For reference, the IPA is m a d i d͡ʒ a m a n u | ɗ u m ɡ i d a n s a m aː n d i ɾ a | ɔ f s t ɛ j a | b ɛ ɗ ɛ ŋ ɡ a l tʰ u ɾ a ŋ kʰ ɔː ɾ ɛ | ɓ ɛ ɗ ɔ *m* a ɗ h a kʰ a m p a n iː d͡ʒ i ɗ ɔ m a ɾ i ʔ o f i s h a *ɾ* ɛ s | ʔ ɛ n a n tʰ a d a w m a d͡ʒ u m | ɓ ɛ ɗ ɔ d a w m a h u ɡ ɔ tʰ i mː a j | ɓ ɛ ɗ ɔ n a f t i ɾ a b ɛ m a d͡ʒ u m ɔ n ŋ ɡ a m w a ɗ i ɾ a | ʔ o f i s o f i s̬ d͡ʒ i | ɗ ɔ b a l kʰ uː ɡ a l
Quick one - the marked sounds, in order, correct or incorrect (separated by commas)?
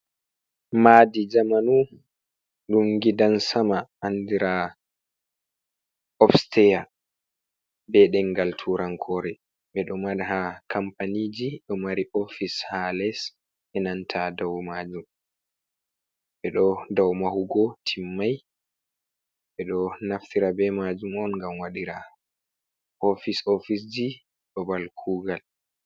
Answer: correct, incorrect